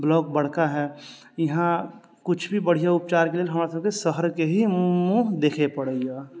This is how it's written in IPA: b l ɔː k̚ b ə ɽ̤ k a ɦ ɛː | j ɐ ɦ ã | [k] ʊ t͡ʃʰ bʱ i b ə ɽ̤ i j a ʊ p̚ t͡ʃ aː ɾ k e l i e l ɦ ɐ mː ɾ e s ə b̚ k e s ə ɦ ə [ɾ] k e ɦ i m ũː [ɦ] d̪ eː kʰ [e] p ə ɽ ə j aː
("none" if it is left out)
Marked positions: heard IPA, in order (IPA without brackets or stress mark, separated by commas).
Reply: k, ɾ, ɦ, e